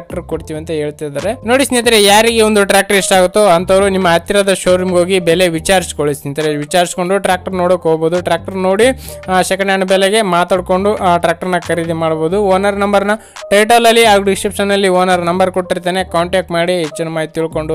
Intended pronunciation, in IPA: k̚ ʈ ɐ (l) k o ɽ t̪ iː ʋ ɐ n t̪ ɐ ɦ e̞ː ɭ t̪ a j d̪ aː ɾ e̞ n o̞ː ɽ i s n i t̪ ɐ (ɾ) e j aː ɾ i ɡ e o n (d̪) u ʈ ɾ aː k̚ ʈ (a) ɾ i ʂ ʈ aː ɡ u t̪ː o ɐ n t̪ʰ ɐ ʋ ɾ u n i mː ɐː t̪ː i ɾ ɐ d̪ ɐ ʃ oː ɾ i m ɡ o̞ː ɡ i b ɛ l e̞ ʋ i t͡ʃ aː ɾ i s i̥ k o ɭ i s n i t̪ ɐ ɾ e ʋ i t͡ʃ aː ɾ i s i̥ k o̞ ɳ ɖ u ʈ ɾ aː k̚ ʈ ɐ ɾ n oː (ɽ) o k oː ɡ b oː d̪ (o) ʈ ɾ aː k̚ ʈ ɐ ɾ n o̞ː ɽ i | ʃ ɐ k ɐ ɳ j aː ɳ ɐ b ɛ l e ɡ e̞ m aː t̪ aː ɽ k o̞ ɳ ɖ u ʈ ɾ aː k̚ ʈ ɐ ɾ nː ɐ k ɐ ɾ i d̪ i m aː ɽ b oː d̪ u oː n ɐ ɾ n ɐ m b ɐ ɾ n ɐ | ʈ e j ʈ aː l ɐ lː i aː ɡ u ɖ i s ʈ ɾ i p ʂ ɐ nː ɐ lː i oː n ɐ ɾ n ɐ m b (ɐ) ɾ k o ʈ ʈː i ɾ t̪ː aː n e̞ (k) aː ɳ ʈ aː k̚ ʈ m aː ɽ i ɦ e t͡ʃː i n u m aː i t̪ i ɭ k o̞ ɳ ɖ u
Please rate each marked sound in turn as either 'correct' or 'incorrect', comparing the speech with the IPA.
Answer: incorrect, correct, correct, incorrect, correct, incorrect, correct, correct

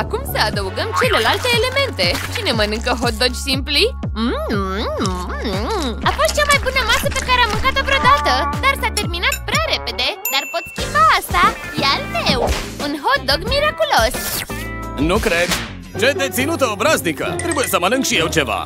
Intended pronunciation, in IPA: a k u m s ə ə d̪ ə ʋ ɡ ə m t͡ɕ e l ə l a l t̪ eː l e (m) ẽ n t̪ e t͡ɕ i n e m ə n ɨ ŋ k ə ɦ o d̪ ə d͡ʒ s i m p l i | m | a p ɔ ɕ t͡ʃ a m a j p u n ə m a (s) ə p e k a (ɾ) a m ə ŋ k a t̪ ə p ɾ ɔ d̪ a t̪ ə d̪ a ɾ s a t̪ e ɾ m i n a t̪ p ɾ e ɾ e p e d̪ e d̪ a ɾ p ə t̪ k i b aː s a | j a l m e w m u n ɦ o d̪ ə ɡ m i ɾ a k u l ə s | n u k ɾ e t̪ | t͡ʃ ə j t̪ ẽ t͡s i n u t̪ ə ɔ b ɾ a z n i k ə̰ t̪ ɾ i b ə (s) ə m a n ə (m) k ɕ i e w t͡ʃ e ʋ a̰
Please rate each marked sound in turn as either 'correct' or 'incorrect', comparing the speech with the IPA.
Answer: correct, correct, correct, correct, incorrect

